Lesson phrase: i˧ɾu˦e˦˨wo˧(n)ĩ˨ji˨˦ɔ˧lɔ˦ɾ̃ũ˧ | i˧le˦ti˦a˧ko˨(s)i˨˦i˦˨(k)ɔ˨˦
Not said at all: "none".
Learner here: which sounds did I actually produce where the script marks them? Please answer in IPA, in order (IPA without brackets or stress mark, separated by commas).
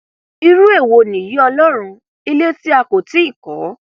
n, t, k